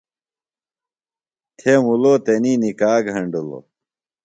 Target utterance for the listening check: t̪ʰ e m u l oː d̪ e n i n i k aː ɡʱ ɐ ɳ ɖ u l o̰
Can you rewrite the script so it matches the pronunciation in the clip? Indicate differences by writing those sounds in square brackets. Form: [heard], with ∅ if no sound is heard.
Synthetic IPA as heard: t̪ʰ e m u l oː [t̪] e n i n i k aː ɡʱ ɐ ɳ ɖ u l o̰